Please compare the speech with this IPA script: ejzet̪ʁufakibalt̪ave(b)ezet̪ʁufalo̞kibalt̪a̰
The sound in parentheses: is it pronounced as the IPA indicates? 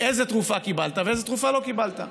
no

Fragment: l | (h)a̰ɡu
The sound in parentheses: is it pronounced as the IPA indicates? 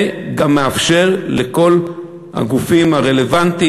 yes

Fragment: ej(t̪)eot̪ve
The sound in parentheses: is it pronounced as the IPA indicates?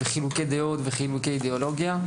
no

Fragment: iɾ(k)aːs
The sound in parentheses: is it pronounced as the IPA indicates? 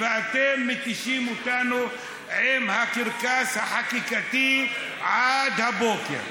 yes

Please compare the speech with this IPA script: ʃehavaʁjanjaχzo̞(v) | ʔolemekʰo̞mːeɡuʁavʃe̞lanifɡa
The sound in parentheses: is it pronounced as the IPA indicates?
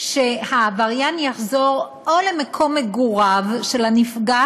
no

